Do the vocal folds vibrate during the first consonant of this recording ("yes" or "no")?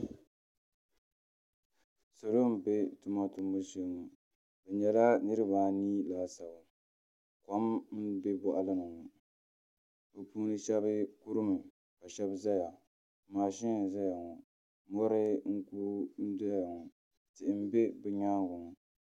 no